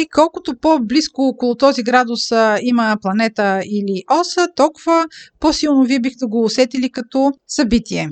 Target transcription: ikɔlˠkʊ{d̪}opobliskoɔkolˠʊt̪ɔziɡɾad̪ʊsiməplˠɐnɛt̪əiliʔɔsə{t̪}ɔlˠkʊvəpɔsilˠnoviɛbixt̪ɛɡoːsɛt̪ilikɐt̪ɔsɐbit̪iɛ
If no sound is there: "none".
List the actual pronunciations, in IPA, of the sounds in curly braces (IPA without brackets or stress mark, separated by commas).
t̪, t̪